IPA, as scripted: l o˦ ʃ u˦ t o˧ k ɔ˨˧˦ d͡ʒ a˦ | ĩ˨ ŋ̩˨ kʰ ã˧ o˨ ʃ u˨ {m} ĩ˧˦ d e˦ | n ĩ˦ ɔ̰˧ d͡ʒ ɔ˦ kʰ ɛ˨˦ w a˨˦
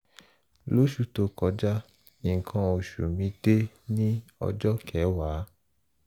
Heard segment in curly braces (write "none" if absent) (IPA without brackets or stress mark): m